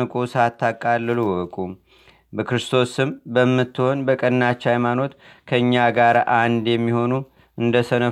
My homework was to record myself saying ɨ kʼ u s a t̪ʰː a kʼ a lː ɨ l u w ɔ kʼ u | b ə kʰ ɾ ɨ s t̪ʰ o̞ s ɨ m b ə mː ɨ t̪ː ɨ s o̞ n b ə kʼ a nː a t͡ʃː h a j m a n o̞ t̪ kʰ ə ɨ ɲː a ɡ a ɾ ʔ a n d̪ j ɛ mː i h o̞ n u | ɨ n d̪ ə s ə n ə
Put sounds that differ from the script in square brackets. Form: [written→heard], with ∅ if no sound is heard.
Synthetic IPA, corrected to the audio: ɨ kʼ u s a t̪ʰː a kʼ a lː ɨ l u w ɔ kʼ u | b ə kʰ ɾ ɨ s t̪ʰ o̞ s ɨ m b ə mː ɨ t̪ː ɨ [s→h] o̞ n b ə kʼ [a→ə] nː a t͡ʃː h a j m a n o̞ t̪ kʰ ə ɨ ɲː a ɡ a ɾ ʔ a n d̪ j ɛ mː i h o̞ n u | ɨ n d̪ ə s ə n ə